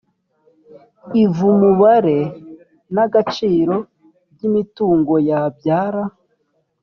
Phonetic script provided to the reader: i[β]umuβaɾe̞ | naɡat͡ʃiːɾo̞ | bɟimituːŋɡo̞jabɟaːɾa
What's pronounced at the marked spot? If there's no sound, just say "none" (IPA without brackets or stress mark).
v